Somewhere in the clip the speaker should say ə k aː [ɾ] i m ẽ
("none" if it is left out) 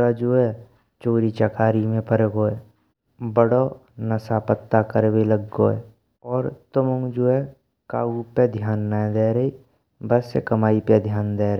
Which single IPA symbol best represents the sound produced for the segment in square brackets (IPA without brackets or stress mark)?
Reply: ɾ